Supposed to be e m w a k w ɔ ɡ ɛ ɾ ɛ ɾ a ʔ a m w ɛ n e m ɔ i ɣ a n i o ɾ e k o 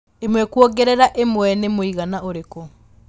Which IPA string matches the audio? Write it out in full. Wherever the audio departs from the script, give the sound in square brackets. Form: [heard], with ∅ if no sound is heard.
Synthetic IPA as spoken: e m w [ɛ] k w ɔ ɡ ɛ ɾ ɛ ɾ a ʔ [e] m w ɛ n e m [o] i ɣ a n [a] o ɾ e k o